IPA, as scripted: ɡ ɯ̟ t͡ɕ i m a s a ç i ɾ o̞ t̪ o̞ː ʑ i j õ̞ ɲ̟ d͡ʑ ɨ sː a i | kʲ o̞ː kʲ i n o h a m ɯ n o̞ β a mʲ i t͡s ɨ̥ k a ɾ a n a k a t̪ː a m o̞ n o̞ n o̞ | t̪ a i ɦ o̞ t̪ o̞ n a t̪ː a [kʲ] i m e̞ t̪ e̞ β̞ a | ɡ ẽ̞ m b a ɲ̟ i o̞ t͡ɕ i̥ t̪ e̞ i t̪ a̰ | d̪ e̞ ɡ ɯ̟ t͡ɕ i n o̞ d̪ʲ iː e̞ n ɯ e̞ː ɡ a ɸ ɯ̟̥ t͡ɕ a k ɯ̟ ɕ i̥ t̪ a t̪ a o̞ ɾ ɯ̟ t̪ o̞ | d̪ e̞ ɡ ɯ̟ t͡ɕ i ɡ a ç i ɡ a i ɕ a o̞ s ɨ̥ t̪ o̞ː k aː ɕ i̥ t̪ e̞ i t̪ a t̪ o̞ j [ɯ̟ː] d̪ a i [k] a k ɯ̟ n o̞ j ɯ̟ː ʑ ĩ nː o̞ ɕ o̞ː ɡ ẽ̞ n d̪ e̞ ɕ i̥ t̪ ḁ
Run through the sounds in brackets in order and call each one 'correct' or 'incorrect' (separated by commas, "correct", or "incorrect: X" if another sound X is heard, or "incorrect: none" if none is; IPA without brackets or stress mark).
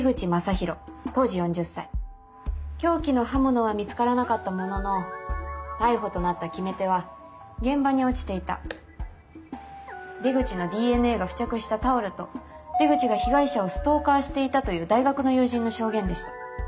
correct, correct, incorrect: ɡ